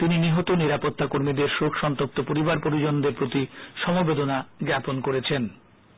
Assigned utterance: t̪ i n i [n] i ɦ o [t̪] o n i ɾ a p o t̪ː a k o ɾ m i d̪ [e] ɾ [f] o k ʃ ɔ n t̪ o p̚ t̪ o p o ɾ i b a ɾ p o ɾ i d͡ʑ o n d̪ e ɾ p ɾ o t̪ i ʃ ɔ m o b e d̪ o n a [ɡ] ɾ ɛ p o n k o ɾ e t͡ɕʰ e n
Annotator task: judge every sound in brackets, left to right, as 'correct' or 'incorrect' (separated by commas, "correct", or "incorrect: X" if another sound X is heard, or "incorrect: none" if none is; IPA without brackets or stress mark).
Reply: correct, correct, correct, incorrect: ʃ, correct